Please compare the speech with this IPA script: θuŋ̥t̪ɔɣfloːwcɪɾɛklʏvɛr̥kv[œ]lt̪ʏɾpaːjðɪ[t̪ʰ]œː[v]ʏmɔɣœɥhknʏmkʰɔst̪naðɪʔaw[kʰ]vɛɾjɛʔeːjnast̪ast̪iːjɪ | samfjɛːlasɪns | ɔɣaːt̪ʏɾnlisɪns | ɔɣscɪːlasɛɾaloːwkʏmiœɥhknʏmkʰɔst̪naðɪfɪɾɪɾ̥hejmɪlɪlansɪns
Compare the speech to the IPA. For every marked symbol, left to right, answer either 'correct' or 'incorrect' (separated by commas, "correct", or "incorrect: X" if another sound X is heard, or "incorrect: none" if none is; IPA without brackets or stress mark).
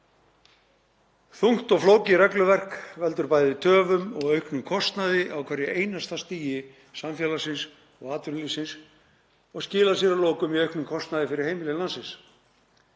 incorrect: ɛ, correct, correct, correct